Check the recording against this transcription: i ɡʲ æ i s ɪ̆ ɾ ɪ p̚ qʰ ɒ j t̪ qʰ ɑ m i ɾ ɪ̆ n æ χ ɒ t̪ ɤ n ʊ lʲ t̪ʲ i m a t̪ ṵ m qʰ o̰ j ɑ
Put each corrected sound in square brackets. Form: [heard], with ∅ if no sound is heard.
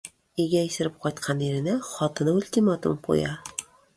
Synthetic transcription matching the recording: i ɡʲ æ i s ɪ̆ ɾ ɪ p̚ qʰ ɒ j t̪ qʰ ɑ [n] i ɾ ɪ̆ n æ χ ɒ t̪ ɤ n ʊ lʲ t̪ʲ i m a t̪ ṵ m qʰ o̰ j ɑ